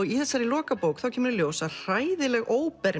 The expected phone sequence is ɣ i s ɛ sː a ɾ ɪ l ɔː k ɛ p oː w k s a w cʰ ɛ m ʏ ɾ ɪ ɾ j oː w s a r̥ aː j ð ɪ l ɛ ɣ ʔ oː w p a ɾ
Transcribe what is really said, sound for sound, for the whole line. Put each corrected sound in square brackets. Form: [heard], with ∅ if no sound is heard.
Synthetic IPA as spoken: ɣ i [θ] ɛ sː a ɾ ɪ l ɔː k [a] p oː w k [θ] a w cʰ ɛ m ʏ ɾ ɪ [l] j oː w s a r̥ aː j ð ɪ l ɛ ɣ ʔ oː w p [ɛ] ɾ